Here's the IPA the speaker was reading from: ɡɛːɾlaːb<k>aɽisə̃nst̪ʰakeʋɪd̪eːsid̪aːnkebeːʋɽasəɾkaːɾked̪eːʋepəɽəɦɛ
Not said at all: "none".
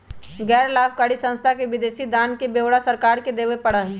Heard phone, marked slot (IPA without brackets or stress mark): k